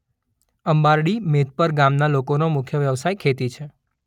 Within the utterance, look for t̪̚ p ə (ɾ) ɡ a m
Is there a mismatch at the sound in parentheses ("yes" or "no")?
no